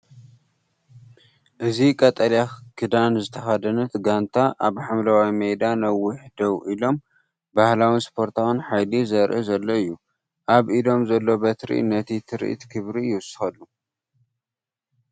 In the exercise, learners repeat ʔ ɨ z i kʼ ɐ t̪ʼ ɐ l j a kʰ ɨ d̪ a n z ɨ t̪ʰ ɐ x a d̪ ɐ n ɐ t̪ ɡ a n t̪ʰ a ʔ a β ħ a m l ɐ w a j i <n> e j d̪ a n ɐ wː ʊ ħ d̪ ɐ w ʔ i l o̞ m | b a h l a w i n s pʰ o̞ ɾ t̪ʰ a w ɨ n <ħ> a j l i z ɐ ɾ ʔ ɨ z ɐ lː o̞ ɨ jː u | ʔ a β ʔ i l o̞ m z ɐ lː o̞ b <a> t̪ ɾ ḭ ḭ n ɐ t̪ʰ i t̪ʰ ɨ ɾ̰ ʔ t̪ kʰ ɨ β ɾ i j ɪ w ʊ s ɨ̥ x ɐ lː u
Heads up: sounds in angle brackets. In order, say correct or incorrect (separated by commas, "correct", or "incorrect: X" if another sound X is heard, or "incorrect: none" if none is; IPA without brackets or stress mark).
incorrect: m, correct, incorrect: ɐ